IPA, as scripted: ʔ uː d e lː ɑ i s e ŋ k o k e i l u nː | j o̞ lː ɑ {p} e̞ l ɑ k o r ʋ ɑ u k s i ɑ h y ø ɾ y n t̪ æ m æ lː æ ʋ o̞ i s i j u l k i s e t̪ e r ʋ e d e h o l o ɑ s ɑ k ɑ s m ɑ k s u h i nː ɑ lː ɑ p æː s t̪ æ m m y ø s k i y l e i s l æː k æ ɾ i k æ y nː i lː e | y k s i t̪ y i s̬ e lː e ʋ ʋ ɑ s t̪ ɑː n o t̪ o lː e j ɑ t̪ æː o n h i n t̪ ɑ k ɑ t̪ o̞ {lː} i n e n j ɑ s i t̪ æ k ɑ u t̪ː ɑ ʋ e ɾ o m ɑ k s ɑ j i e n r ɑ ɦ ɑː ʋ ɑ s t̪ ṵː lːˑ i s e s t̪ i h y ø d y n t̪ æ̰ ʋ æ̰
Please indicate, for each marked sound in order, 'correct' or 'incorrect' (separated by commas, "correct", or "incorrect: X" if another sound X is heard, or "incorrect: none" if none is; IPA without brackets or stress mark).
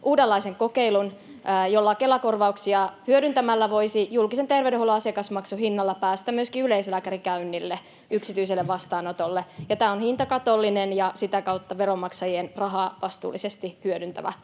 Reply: incorrect: k, correct